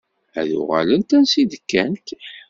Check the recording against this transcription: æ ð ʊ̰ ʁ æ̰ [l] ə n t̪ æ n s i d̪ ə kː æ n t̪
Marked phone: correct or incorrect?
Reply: correct